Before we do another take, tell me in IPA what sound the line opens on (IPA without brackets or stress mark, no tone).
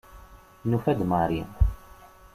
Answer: n